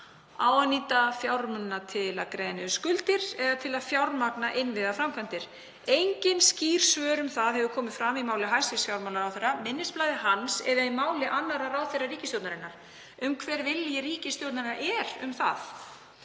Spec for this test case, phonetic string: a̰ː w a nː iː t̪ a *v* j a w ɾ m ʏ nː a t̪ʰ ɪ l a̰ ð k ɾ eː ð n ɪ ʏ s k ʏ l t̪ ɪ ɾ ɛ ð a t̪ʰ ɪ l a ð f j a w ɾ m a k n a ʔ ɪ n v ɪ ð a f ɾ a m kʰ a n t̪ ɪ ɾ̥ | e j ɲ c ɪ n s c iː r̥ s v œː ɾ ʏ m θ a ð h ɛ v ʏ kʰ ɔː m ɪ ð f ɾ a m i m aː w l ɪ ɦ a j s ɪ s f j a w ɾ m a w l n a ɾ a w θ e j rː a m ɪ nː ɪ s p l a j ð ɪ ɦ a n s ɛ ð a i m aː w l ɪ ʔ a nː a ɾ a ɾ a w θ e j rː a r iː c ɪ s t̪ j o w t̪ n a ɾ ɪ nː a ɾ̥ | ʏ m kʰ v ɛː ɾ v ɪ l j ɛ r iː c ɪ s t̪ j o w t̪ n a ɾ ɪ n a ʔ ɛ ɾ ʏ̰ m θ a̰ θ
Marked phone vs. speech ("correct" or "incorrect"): incorrect